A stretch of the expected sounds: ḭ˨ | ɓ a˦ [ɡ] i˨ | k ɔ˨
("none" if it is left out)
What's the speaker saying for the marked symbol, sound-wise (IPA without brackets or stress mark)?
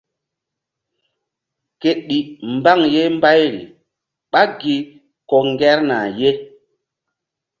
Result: ɡ